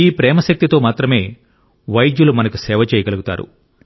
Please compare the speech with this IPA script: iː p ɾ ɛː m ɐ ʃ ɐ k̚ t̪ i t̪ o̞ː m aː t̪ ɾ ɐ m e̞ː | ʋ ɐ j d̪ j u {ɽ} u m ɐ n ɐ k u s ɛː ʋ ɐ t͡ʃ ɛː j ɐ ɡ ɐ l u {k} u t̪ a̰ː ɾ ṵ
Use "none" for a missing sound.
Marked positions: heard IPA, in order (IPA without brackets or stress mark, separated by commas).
l, ɡ